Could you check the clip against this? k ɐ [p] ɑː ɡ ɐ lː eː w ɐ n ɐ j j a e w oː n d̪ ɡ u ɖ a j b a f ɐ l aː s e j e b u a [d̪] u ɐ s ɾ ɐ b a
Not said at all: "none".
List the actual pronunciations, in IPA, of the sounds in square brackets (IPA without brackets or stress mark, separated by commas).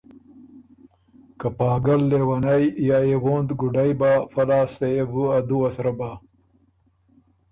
p, d̪